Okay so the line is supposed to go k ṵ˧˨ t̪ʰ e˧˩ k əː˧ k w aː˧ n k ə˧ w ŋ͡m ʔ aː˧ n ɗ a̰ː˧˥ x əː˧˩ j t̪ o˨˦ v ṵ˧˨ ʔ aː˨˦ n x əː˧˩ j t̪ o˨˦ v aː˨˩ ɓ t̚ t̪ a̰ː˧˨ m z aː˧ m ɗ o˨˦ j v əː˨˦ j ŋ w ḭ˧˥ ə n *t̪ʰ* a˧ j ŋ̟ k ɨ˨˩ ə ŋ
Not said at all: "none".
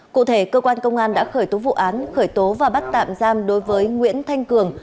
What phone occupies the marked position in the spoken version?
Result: t̪ʰ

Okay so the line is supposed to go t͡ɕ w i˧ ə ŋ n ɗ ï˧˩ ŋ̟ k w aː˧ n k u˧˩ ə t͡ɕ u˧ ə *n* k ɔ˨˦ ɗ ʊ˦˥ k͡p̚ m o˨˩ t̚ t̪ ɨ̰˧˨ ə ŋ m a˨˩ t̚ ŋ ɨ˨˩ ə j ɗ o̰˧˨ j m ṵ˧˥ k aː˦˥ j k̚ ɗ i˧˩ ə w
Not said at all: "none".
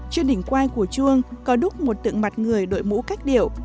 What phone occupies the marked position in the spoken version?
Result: ŋ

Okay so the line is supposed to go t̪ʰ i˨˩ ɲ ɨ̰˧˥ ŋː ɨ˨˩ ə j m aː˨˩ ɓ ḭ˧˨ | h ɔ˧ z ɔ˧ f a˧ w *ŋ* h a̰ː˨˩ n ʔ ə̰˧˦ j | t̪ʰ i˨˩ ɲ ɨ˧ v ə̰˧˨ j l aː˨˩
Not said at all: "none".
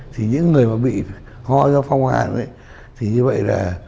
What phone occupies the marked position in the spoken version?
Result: ŋ͡m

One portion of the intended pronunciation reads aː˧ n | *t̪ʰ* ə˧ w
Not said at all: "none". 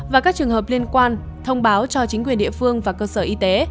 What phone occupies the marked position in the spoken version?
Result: t̪ʰ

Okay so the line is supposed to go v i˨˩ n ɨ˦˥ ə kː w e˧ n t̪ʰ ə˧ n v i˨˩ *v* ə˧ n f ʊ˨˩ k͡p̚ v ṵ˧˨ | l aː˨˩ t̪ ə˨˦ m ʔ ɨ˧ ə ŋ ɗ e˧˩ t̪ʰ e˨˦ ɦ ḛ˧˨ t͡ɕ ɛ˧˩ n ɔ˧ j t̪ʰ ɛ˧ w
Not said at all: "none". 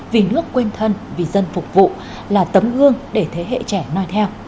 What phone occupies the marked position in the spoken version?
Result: z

